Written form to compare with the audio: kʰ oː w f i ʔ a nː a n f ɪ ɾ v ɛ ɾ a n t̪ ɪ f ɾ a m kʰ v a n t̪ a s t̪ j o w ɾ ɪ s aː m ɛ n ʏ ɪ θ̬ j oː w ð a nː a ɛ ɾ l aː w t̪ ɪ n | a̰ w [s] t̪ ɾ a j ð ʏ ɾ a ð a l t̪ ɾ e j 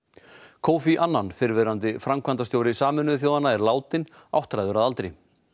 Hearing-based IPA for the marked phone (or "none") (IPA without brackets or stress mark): h